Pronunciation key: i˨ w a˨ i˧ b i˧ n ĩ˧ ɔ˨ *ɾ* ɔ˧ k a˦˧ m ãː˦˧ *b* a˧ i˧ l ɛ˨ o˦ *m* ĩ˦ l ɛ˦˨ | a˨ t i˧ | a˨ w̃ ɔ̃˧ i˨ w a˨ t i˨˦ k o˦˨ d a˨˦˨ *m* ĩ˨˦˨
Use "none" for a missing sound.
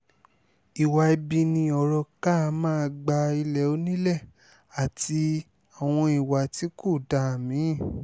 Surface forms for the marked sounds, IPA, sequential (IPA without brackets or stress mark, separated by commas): ɾ, ɡ͡b, n, m